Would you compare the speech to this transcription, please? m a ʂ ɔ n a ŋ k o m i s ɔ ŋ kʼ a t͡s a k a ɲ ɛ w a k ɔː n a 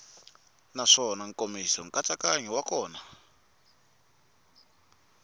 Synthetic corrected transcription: n a ʂ ɔ n a ŋ k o m i s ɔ ŋ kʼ a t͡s a k a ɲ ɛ w a k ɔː n a